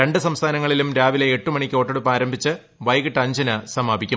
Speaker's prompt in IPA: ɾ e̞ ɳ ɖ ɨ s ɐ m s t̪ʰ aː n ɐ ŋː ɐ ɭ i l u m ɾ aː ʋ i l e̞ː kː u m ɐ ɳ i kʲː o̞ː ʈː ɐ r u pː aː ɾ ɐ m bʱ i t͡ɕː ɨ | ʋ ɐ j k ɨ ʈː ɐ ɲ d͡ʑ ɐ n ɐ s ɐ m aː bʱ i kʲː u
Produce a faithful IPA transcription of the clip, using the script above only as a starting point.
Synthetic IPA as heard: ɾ e̞ ɳ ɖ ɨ s ɐ m s t̪ʰ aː n ɐ ŋː ɐ ɭ i l u m ɾ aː ʋ i l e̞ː ʈː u m ɐ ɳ i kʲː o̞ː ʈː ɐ ɽ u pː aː ɾ ɐ m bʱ i t͡ɕː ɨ | ʋ ɐ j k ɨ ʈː ɐ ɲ d͡ʑ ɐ n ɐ s ɐ m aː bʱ i kʲː u